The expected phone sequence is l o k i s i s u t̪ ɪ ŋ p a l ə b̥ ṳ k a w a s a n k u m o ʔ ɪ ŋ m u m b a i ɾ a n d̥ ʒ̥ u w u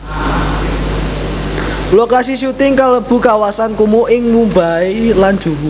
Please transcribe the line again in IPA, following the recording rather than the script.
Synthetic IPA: l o k a s i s u t̪ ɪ ŋ k a l ə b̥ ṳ k a w a s a n k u m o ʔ ɪ ŋ m u m b a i l a n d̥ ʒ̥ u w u